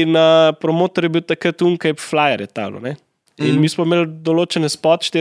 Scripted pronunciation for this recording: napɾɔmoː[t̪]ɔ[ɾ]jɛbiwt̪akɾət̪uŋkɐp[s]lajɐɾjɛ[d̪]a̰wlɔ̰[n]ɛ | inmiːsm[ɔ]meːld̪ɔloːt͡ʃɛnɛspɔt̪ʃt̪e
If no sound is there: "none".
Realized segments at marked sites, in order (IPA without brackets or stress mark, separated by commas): t̪, ɾ, f, t̪, n, ɔ